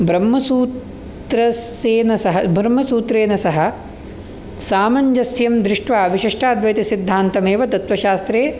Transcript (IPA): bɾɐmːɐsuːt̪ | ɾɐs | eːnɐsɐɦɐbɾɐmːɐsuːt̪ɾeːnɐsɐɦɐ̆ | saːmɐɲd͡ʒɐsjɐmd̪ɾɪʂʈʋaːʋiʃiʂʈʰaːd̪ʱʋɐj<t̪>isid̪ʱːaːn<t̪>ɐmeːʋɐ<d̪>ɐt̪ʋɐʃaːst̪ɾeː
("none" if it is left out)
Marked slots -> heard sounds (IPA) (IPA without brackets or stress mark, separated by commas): t̪, t̪, t̪